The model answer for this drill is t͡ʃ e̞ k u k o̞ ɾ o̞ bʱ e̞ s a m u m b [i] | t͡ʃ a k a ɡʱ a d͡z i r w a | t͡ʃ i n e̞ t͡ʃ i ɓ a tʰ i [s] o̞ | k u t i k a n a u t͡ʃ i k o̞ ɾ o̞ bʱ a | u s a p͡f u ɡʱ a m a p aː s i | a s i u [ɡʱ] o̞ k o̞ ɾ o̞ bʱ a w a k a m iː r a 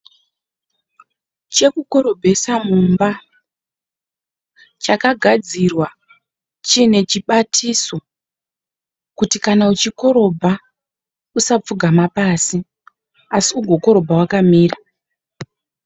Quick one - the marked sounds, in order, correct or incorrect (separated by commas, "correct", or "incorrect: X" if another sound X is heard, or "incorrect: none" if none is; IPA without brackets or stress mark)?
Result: incorrect: a, correct, correct